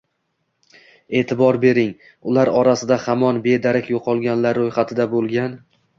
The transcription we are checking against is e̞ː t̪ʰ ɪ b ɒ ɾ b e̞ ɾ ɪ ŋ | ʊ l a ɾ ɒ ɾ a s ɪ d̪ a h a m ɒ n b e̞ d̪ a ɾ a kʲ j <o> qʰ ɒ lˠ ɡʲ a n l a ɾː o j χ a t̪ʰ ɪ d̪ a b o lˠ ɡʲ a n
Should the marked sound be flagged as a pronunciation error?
no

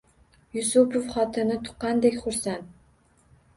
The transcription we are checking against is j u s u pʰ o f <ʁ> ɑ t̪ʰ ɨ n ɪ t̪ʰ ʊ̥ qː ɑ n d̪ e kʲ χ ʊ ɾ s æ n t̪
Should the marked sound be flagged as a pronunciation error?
yes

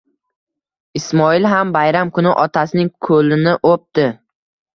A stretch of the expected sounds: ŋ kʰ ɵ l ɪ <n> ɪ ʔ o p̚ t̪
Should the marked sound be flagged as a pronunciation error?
no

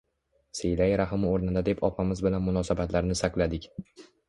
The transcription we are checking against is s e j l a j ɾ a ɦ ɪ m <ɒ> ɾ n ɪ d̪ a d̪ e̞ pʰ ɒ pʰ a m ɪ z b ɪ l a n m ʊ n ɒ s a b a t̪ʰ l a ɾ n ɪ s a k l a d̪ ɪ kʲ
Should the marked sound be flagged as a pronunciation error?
yes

